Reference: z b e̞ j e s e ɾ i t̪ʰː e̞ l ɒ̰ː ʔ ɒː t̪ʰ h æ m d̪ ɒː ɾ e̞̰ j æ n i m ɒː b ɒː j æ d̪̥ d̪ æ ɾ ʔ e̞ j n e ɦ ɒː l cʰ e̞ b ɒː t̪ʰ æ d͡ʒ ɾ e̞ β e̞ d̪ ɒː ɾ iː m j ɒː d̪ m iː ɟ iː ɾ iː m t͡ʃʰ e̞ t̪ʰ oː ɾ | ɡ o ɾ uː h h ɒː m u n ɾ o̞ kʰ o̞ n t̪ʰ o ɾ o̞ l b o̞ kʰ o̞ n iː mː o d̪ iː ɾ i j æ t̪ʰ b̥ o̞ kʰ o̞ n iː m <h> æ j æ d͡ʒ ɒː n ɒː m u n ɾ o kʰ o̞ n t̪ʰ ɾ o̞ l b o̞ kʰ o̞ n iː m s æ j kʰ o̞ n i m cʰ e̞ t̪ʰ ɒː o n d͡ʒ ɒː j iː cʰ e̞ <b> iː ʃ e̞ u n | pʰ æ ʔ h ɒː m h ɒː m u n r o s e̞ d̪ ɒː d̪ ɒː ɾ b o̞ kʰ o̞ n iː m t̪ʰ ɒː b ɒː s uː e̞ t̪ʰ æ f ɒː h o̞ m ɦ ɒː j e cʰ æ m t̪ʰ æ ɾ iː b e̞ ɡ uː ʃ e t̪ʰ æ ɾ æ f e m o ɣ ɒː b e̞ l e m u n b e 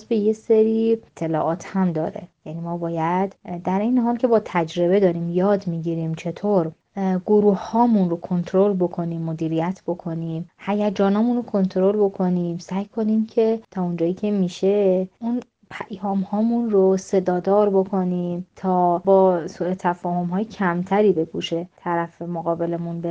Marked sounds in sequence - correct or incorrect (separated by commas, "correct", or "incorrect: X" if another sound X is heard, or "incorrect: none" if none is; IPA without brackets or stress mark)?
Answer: correct, incorrect: m